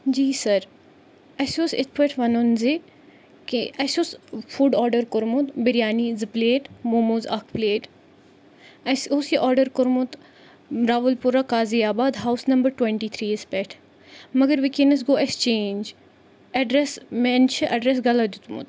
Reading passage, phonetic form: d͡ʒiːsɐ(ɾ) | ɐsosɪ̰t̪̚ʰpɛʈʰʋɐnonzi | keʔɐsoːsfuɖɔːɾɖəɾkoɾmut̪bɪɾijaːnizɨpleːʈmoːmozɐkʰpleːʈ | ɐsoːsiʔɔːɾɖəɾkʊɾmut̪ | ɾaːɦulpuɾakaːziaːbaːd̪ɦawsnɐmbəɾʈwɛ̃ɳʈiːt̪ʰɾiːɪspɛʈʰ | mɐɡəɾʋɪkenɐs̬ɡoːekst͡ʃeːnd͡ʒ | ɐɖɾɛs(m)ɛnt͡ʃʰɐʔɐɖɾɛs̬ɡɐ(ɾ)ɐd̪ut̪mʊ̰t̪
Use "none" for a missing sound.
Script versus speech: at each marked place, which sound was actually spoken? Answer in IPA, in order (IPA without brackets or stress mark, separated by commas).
ɾ, m, l